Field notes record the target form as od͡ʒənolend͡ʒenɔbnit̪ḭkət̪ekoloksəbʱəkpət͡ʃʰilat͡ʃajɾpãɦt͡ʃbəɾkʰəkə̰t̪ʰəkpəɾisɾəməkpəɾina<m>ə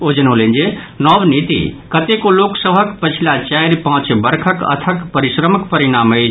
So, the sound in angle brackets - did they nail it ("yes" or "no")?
yes